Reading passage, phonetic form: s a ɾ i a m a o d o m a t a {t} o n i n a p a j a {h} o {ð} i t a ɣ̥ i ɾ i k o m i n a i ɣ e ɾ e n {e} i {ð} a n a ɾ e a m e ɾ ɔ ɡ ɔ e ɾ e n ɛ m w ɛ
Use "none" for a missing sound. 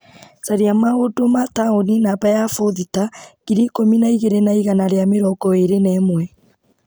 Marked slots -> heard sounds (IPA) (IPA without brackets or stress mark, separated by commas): none, f, ð, a, ɣ